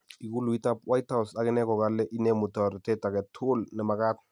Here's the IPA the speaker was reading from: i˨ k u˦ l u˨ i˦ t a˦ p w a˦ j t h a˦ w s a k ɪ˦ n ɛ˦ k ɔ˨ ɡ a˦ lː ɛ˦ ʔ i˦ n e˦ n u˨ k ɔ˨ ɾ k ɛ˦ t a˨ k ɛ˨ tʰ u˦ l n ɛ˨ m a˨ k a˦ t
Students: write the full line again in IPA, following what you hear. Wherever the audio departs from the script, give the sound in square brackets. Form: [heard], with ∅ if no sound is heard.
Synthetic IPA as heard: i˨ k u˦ l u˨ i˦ t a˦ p w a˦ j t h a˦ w s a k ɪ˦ n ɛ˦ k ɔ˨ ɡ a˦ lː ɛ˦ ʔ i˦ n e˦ [m] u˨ [t] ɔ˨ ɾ [t] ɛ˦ t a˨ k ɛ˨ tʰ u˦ l n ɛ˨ m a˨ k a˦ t

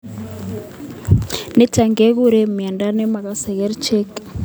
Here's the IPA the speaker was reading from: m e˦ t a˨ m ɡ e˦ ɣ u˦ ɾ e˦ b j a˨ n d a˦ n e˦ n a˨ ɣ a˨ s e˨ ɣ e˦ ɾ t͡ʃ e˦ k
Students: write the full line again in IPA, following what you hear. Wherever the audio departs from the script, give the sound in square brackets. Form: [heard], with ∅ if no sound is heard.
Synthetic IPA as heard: [n] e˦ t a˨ [ŋ] ɡ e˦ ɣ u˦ ɾ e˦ [m] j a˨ n d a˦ n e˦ [m] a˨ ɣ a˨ s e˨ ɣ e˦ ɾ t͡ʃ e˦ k

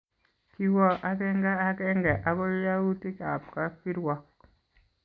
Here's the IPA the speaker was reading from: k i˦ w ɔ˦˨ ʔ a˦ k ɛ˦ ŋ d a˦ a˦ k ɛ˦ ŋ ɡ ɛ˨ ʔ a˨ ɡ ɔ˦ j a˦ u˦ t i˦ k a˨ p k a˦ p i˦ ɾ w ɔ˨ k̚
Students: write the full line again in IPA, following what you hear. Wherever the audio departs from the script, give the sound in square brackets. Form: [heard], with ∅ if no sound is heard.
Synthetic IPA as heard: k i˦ w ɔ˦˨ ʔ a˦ k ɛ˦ ŋ [ɡ] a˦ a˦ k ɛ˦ ŋ ɡ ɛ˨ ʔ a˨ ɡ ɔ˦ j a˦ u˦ t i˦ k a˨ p k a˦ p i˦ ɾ w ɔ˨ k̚

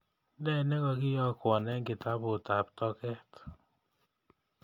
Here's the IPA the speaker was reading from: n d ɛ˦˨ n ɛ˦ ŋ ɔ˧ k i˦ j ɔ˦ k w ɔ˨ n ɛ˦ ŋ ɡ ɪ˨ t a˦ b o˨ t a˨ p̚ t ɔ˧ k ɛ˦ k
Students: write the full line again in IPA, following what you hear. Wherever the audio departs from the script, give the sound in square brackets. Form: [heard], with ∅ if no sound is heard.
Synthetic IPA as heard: n d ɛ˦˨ n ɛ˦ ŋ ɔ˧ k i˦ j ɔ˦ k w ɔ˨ n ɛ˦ ŋ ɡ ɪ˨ t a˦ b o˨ t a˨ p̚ t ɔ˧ k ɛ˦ [t]

